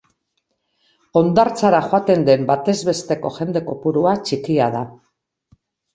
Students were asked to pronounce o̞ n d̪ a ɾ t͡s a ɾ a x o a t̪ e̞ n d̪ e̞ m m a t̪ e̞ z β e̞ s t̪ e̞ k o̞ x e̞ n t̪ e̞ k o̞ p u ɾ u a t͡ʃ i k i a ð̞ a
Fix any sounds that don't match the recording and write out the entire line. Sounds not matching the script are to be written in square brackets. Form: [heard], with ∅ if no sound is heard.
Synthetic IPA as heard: o̞ n d̪ a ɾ t͡s a ɾ a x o a t̪ e̞ n d̪ e̞ m [b] a t̪ e̞ z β e̞ s t̪ e̞ k o̞ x e̞ n [d̪] e̞ k o̞ p u ɾ u a t͡ʃ i k i a ð̞ a